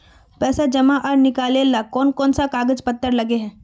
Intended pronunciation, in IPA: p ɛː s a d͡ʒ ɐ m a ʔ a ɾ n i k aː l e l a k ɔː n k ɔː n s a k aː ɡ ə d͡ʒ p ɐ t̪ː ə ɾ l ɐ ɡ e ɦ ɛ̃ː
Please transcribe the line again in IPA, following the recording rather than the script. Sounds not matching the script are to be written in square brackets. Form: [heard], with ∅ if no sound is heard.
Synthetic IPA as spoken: p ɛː s a d͡ʒ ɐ m a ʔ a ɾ n [ɪ] k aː l e l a k ɔː n k ɔː n s a k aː ɡ ə d͡ʒ p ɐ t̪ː ə ɾ l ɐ ɡ e ɦ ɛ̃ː